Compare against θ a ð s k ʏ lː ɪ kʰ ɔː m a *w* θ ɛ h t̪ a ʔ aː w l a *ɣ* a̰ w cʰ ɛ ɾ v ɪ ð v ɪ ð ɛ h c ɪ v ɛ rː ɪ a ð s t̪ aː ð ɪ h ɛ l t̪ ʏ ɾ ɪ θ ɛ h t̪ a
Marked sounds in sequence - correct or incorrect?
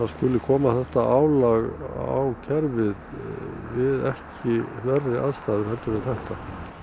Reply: incorrect: none, correct

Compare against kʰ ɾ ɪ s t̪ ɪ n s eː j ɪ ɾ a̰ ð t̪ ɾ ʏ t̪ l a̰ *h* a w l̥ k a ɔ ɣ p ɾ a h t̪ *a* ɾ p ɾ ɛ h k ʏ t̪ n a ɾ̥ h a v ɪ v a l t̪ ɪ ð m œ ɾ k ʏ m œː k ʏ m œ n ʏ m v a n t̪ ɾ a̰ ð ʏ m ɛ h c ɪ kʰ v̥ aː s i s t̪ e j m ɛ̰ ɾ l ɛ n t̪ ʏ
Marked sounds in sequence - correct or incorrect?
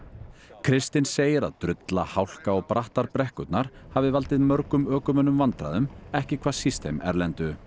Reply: correct, correct

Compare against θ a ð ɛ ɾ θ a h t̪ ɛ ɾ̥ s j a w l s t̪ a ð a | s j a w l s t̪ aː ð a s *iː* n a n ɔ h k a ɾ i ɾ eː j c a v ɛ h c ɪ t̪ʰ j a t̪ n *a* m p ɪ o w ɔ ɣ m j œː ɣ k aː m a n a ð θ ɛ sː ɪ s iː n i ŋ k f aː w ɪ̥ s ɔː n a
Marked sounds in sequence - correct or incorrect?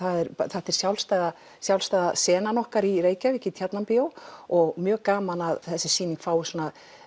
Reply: incorrect: ɛː, correct

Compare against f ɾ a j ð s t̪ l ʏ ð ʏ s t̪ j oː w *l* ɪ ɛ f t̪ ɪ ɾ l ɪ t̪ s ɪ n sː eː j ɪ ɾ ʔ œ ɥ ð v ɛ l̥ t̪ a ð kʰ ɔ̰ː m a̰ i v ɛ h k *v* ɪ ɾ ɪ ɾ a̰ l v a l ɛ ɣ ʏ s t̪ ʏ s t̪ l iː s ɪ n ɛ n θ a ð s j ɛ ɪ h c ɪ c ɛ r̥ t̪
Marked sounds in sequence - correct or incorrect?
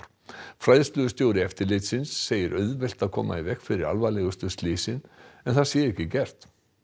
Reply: incorrect: ɾ, incorrect: f

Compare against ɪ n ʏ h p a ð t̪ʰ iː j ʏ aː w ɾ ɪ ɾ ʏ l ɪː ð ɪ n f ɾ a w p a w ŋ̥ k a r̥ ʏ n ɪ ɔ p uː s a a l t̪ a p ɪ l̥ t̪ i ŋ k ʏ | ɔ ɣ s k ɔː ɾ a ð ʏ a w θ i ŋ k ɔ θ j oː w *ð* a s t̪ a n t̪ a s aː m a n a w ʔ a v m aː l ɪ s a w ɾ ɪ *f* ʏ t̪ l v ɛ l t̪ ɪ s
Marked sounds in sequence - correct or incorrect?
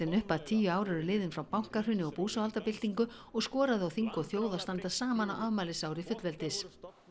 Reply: correct, correct

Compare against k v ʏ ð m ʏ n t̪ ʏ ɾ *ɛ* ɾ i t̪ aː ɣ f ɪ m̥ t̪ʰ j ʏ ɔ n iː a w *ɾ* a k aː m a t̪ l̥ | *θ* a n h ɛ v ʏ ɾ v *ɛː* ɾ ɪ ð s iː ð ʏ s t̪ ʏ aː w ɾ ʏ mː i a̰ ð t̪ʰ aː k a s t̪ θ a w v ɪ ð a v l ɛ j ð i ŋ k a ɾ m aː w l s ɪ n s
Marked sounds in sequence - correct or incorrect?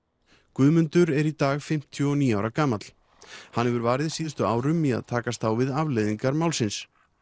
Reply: correct, correct, incorrect: h, incorrect: aː

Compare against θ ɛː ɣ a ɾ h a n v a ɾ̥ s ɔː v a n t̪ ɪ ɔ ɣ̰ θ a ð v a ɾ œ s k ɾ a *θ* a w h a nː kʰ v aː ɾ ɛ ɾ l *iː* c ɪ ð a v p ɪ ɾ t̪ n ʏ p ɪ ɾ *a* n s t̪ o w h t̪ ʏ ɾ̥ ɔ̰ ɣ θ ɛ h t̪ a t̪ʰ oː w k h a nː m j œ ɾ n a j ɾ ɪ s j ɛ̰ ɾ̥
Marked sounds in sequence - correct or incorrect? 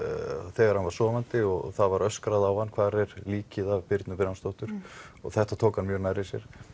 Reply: incorrect: ð, correct, correct

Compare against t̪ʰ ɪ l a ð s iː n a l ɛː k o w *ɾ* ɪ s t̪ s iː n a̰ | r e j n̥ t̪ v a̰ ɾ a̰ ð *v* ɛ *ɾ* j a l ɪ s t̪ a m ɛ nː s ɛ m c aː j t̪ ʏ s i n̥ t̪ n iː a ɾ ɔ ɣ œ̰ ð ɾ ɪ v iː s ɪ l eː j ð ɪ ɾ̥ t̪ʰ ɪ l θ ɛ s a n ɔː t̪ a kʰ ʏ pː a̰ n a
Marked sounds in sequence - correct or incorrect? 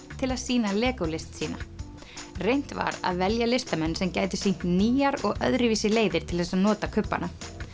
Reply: incorrect: l, correct, incorrect: l

